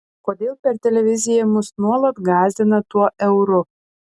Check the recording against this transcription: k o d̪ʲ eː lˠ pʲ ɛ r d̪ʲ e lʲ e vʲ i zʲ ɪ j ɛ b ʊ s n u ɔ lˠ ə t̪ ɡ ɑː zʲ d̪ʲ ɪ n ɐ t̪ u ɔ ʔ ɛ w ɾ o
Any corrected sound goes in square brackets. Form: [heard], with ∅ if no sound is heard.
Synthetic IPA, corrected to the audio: k o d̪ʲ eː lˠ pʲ ɛ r [t̪ʲ] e lʲ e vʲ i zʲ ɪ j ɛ [m] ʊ s n u ɔ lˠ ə t̪ ɡ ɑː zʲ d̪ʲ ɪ n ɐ t̪ u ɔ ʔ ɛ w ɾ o